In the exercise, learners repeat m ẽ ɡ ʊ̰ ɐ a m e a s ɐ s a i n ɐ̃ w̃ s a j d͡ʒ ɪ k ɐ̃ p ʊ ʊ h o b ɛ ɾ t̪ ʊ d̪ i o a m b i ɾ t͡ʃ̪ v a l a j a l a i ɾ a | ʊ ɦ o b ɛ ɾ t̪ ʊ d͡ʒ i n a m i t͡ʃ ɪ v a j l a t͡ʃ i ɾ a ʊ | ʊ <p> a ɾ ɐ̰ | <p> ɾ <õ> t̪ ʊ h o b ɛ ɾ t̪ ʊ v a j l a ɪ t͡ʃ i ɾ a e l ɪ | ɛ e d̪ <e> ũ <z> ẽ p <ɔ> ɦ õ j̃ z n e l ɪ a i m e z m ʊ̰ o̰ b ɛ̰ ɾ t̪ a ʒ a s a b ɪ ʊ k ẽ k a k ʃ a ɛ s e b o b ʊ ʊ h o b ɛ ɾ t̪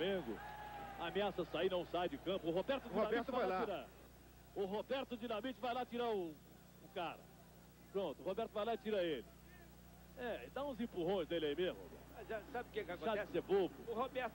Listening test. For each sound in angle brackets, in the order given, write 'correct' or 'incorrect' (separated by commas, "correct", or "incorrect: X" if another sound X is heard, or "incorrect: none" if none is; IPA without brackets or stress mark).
incorrect: k, correct, correct, incorrect: a, correct, incorrect: u